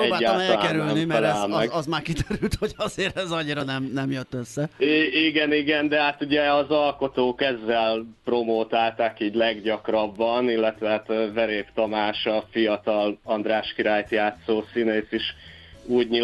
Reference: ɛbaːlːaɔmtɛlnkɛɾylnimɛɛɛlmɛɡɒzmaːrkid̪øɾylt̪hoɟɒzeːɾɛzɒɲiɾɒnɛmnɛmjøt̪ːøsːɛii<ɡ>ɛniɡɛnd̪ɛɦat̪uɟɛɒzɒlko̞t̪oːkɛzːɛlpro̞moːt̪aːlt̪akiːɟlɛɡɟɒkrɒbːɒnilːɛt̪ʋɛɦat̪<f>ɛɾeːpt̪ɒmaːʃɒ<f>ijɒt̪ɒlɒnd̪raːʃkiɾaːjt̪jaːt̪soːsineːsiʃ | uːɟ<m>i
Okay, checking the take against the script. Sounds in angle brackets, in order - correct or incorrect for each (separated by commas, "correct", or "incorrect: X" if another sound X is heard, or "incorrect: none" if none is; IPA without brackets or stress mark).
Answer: correct, incorrect: v, correct, incorrect: ɲ